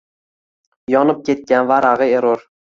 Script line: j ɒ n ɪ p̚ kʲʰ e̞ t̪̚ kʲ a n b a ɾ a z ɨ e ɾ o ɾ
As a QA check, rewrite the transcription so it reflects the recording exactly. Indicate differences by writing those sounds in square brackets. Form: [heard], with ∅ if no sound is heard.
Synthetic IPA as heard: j ɒ n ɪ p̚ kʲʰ e̞ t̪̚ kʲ a n [v] a ɾ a [ʁ] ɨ e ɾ o ɾ